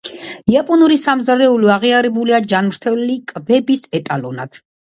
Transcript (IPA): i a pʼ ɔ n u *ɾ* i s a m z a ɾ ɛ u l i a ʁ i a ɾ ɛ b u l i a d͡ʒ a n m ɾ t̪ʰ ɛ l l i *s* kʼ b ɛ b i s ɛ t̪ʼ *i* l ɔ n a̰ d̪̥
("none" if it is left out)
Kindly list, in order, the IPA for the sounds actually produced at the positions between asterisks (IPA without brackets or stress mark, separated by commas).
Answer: ɾ, none, a